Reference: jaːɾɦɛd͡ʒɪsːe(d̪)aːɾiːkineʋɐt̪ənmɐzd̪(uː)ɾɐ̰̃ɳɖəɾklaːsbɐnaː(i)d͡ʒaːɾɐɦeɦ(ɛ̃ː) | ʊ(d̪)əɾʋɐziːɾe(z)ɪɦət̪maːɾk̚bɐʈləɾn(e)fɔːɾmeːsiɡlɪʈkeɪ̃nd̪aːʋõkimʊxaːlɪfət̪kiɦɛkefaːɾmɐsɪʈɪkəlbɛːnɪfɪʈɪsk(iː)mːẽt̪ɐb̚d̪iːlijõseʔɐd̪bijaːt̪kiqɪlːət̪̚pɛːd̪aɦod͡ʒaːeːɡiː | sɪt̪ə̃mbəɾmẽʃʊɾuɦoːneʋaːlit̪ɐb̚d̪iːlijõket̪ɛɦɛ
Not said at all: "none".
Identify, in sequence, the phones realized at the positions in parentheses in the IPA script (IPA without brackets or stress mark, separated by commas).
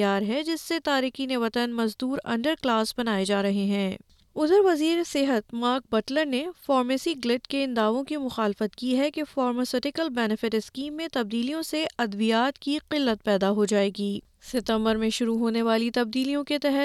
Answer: t̪, uː, e, ɛ̃ː, d̪, s, e, iː